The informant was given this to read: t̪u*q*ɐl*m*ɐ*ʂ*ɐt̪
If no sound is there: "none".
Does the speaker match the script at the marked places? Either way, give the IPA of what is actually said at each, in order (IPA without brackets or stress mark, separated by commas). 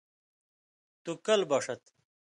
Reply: k, b, ʂ